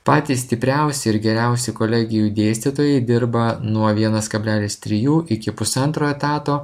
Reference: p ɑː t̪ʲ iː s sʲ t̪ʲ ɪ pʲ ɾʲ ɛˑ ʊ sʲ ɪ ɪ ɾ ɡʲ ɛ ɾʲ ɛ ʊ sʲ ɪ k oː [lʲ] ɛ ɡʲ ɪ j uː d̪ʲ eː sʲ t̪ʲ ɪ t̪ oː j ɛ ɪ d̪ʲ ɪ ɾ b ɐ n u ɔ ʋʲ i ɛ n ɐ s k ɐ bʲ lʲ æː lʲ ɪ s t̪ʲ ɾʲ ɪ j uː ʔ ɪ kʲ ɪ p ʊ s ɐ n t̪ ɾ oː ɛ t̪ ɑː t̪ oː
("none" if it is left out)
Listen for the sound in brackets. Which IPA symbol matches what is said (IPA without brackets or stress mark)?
lʲ